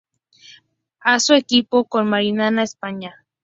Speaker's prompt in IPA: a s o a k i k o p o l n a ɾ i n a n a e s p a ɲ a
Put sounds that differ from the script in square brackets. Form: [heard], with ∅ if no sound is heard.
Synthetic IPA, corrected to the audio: a s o [e] k i [p] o [k] o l [m] a ɾ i n a n a e s p a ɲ a